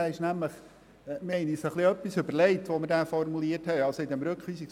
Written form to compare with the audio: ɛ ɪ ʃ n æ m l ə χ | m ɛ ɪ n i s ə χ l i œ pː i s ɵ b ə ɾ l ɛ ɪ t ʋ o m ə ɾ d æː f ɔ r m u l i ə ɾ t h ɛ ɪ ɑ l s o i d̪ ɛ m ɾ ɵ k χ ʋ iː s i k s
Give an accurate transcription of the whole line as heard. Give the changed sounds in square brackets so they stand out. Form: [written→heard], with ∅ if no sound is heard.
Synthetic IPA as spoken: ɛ ɪ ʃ n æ m l ə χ | m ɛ ɪ n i s ə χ l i œ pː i s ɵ b ə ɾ l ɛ ɪ t ʋ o m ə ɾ d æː f ɔ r m u l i ə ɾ t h ɛ ɪ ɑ l s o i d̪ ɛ m ɾ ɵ k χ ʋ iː s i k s